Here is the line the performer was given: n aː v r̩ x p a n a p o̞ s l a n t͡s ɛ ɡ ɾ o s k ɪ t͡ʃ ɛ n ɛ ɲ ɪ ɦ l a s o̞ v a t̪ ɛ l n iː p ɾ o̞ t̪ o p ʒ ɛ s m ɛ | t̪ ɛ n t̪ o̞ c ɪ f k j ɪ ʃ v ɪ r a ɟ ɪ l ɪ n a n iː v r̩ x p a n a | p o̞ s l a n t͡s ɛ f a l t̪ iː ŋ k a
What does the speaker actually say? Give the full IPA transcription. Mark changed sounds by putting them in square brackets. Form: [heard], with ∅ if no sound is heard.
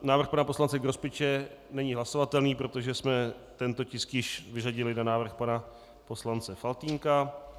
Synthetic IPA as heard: n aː v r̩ x p a n a p o̞ s l a n t͡s ɛ ɡ ɾ o s [p] ɪ t͡ʃ ɛ n ɛ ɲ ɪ ɦ l a s o̞ v a t̪ ɛ l n iː p ɾ o̞ t̪ o [∅] ʒ ɛ s m ɛ | t̪ ɛ n t̪ o̞ c ɪ [s] k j ɪ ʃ v ɪ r a ɟ ɪ l ɪ n a n [aː] v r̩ x p a n a | p o̞ s l a n t͡s ɛ f a l t̪ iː ŋ k a